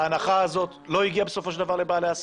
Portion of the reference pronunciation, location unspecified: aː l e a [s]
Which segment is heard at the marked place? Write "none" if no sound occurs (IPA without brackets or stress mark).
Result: s